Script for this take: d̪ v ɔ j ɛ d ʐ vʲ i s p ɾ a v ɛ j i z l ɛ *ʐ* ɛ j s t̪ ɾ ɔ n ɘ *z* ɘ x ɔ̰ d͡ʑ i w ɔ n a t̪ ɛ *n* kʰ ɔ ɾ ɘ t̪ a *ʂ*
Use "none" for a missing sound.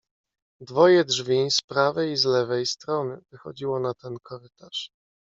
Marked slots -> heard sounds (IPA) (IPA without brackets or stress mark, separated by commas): v, v, n, ʂ